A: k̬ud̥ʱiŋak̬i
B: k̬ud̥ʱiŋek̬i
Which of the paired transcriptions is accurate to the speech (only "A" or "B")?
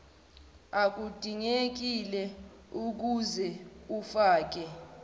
B